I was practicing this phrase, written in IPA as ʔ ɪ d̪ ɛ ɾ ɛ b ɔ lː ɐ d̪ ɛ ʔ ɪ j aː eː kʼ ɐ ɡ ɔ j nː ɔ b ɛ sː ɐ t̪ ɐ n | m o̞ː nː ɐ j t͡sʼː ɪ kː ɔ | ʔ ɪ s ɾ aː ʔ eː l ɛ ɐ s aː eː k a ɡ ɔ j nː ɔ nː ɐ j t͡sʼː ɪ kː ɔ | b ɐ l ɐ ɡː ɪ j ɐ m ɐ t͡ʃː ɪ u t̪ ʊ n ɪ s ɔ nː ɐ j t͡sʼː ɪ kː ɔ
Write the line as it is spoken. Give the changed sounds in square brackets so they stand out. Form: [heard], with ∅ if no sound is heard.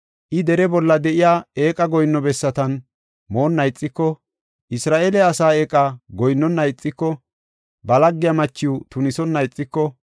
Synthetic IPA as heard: ʔ ɪ d̪ ɛ ɾ ɛ b ɔ lː ɐ d̪ ɛ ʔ ɪ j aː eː kʼ ɐ ɡ ɔ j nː ɔ b ɛ sː ɐ t̪ ɐ n | m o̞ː nː ɐ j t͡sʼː ɪ kː ɔ | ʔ ɪ s ɾ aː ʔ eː l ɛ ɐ s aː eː [kʼ] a ɡ ɔ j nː ɔ nː ɐ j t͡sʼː ɪ kː ɔ | b ɐ l ɐ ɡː ɪ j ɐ m ɐ t͡ʃː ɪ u t̪ ʊ n ɪ s ɔ nː ɐ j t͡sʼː ɪ kː ɔ

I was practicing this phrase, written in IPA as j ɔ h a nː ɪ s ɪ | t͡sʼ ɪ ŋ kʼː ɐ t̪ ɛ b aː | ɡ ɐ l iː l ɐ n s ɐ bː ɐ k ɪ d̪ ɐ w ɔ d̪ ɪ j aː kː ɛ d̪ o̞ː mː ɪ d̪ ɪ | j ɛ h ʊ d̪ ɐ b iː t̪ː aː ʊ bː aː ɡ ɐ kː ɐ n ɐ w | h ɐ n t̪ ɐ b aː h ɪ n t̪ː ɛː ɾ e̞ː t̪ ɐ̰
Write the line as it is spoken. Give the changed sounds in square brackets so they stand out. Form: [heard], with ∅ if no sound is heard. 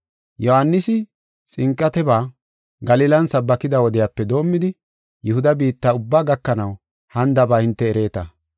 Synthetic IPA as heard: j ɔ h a nː ɪ s ɪ | t͡sʼ ɪ ŋ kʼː ɐ t̪ ɛ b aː | ɡ ɐ l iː l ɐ n s ɐ bː ɐ k ɪ d̪ ɐ w ɔ d̪ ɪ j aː [pː] ɛ d̪ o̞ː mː ɪ d̪ ɪ | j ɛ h ʊ d̪ ɐ b iː t̪ː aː ʊ bː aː ɡ ɐ kː ɐ n ɐ w | h ɐ n [d̪] ɐ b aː h ɪ n t̪ː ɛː ɾ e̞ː t̪ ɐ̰

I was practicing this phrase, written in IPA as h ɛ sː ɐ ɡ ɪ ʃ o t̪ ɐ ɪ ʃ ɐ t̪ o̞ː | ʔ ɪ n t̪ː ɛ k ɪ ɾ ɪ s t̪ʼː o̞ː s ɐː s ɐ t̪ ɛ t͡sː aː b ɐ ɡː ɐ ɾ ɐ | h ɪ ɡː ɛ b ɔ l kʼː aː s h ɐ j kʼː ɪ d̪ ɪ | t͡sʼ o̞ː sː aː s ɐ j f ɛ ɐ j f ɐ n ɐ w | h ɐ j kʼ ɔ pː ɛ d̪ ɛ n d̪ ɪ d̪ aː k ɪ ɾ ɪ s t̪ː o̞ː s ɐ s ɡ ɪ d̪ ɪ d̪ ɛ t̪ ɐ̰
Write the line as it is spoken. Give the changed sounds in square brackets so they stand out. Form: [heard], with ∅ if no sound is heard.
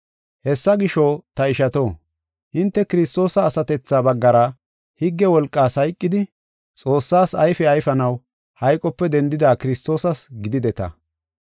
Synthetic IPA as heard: h ɛ sː ɐ ɡ ɪ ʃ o t̪ ɐ ɪ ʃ ɐ t̪ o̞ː | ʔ ɪ n t̪ː ɛ k ɪ ɾ ɪ s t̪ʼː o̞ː s ɐː s ɐ t̪ ɛ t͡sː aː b ɐ ɡː ɐ ɾ ɐ | h ɪ ɡː ɛ [w] ɔ l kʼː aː s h ɐ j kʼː ɪ d̪ ɪ | t͡sʼ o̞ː sː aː s ɐ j f ɛ ɐ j f ɐ n ɐ w | h ɐ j kʼ ɔ pː ɛ d̪ ɛ n d̪ ɪ d̪ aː k ɪ ɾ ɪ s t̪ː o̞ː s ɐ s ɡ ɪ d̪ ɪ d̪ ɛ t̪ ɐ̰

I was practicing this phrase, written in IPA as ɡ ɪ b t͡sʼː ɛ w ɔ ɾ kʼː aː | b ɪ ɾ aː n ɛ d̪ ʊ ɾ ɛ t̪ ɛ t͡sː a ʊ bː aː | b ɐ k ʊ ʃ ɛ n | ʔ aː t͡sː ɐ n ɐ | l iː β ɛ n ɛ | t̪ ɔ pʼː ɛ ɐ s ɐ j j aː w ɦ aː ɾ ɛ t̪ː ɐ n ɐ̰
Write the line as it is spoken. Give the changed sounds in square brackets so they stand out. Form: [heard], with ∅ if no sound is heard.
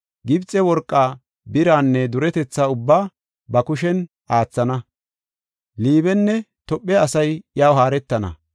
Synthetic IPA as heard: ɡ ɪ b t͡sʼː ɛ w ɔ ɾ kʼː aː | b ɪ ɾ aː [nː] ɛ d̪ ʊ ɾ ɛ t̪ ɛ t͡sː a ʊ bː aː | b ɐ k ʊ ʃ ɛ n | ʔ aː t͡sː ɐ n ɐ | l iː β ɛ [nː] ɛ | t̪ ɔ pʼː ɛ ɐ s ɐ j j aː w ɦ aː ɾ ɛ t̪ː ɐ n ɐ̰

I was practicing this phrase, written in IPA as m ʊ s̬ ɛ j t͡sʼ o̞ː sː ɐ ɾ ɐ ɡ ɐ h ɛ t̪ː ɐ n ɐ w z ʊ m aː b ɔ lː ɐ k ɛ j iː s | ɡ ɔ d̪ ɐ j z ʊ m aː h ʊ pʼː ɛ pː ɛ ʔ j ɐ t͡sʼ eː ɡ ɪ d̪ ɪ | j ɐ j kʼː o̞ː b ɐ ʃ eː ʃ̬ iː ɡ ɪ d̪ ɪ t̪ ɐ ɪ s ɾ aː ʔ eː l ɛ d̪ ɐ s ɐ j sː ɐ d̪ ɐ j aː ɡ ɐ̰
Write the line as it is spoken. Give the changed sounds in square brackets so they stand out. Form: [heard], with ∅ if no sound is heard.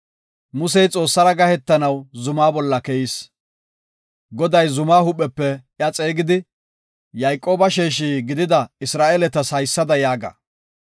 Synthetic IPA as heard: m ʊ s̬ ɛ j t͡sʼ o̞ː sː ɐ ɾ ɐ ɡ ɐ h ɛ t̪ː ɐ n ɐ w z ʊ m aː b ɔ lː ɐ k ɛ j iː s | ɡ ɔ d̪ ɐ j z ʊ m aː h ʊ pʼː ɛ pː ɛ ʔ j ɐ t͡sʼ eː ɡ ɪ d̪ ɪ | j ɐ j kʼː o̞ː b ɐ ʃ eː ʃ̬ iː ɡ ɪ d̪ ɪ [d̪] ɐ ɪ s ɾ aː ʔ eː l ɛ [t̪] ɐ s ɐ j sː ɐ d̪ ɐ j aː ɡ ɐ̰

